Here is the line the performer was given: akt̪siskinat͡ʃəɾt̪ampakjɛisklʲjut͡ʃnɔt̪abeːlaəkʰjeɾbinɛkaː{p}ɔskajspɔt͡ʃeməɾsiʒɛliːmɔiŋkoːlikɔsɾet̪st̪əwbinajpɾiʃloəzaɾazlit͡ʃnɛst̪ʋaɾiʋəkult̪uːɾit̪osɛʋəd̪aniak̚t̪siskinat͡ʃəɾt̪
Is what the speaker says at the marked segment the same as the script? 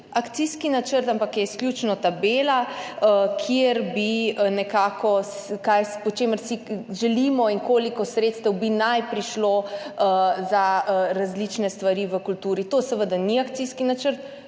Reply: no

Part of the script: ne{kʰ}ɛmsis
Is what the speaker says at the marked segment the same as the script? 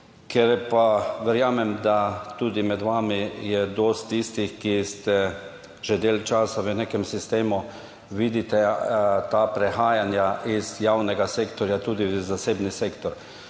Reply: no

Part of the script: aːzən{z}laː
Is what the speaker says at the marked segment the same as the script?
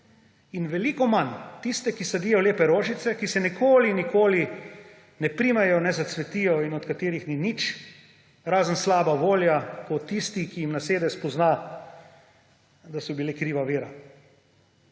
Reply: no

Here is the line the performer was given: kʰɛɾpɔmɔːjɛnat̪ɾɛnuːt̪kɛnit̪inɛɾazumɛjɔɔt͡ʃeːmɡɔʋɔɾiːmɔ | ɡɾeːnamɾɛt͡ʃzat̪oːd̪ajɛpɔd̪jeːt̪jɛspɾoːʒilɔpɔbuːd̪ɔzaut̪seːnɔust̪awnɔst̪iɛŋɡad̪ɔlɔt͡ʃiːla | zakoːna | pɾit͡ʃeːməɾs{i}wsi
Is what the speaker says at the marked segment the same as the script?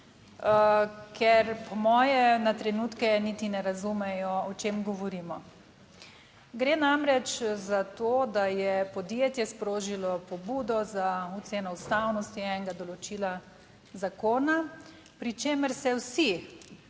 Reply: no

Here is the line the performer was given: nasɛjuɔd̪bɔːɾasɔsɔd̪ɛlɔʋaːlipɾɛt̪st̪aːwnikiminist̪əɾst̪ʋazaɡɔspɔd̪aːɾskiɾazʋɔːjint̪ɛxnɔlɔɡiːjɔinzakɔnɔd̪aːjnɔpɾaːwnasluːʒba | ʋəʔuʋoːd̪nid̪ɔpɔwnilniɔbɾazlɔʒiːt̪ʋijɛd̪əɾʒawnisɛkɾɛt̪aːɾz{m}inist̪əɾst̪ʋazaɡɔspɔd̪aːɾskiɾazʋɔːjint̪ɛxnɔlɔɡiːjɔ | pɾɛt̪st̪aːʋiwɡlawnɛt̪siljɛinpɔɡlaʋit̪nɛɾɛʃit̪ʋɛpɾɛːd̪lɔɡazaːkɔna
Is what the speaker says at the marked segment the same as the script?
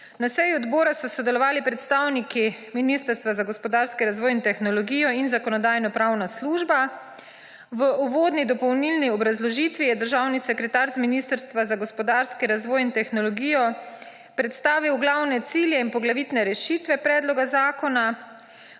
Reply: yes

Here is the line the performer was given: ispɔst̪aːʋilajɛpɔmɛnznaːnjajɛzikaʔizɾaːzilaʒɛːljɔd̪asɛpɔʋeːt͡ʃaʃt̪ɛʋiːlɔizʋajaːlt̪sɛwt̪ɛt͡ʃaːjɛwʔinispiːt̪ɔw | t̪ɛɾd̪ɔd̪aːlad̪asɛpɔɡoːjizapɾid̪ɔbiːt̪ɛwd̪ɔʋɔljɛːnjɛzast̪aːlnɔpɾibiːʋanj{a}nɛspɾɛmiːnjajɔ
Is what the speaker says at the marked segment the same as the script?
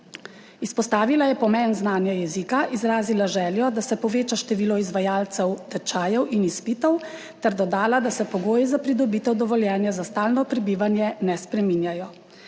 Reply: no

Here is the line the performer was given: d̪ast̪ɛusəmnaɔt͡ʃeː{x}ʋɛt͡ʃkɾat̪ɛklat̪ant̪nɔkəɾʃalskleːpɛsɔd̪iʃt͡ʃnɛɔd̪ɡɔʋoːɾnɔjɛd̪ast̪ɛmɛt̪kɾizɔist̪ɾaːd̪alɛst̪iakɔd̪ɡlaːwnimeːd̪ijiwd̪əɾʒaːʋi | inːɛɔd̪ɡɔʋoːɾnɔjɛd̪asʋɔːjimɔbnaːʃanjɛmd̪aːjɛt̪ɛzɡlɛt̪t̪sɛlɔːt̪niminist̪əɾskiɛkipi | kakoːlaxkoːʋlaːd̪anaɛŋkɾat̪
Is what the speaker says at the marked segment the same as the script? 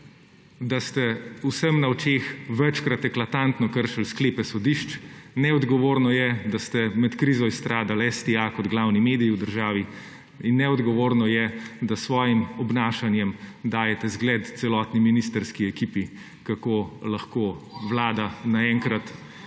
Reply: yes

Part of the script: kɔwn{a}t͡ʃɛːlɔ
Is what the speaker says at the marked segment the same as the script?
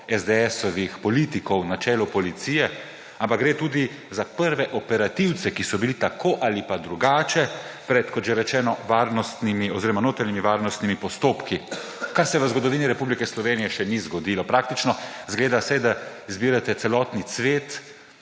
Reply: yes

